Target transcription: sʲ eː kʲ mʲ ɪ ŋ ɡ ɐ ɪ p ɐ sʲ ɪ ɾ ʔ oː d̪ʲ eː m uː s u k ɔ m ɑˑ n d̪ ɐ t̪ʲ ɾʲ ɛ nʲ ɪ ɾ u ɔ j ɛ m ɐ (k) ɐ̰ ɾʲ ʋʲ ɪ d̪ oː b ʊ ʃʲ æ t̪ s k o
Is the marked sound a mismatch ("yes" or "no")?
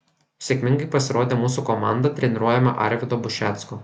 yes